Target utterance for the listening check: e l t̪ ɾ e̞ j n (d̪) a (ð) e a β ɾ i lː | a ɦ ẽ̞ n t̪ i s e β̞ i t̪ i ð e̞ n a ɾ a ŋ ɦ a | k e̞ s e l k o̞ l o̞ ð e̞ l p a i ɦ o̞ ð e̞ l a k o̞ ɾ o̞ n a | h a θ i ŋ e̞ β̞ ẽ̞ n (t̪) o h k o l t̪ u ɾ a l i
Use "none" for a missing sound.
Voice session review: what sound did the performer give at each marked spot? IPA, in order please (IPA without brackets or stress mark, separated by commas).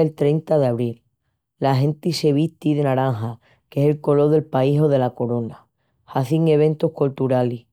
t̪, ð, t̪